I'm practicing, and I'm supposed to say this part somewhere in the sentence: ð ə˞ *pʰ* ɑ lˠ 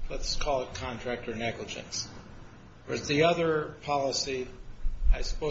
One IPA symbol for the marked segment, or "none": pʰ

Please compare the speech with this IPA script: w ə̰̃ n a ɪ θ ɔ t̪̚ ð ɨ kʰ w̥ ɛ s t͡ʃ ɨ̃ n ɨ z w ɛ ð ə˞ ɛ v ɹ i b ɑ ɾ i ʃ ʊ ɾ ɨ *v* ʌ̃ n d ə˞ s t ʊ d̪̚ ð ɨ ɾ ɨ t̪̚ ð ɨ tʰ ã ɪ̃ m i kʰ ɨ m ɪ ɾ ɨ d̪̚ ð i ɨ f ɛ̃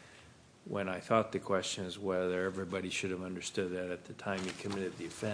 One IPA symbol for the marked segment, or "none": v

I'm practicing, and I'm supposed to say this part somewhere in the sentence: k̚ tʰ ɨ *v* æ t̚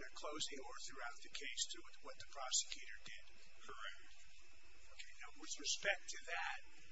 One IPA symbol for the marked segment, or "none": ð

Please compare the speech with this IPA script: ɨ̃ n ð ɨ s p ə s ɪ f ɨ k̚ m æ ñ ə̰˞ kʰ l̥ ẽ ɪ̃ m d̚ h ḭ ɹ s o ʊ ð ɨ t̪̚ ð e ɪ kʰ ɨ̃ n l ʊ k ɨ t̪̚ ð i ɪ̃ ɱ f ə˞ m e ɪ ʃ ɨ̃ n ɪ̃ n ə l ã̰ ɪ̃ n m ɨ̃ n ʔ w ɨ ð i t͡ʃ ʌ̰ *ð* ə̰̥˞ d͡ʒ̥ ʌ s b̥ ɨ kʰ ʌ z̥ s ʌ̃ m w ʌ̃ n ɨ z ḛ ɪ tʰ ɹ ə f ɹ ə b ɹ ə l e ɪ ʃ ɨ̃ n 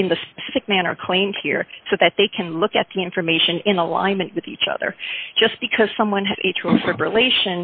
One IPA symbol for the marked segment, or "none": ð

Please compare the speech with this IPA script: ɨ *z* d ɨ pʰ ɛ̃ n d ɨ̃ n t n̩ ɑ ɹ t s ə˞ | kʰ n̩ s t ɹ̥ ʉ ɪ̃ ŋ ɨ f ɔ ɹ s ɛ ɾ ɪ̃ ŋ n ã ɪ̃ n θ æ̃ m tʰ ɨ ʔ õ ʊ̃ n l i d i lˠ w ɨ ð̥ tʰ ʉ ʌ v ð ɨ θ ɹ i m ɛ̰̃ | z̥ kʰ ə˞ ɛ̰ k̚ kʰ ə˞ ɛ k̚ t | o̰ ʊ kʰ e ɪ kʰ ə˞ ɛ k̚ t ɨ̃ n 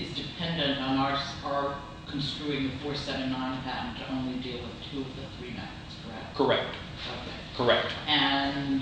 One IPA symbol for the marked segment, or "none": z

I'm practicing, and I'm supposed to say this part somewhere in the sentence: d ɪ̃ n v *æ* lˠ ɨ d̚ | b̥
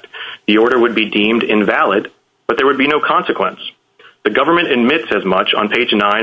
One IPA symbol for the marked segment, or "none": æ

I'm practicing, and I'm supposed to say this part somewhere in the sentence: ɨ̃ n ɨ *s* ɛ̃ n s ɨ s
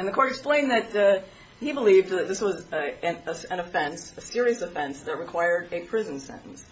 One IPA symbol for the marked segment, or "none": f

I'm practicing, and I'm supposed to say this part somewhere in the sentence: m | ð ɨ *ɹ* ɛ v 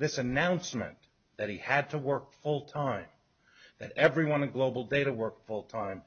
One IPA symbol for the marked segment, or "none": ɾ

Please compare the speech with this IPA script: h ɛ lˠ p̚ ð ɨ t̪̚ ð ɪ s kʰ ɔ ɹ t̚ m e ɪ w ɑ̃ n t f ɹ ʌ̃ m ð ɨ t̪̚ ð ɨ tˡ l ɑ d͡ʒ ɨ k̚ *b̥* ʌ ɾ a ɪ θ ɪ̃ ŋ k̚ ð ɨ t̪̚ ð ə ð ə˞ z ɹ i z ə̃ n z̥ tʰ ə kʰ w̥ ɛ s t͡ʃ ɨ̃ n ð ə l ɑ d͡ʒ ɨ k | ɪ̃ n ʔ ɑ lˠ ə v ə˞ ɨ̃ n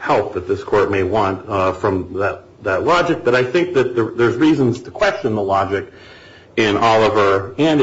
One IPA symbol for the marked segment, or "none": b̥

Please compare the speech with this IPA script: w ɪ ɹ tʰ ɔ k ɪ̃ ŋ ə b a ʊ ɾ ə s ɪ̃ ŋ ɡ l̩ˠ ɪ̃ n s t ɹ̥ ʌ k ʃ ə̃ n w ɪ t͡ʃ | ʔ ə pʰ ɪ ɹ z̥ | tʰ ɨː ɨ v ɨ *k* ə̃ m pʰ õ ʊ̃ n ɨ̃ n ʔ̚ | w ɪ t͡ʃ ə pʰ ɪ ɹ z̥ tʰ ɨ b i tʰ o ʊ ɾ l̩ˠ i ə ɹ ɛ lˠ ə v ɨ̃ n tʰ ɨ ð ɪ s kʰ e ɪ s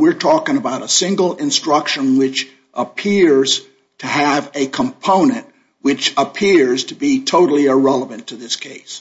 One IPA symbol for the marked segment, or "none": kʰ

